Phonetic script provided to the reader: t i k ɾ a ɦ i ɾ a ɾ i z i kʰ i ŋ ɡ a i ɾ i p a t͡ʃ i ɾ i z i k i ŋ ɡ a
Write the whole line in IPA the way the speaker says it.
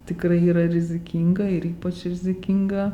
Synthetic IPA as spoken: t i k ɾ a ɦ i ɾ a ɾ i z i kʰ i ŋ ɡ a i ɾ i p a t͡ʃ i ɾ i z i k i ŋ ɡ a